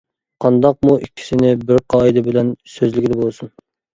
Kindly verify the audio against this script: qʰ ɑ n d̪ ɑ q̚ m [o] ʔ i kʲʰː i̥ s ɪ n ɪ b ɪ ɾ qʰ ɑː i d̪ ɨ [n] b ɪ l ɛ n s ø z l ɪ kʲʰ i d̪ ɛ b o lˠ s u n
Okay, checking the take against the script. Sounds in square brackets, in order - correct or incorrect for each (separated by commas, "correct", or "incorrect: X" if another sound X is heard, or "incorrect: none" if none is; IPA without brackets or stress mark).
incorrect: u, incorrect: none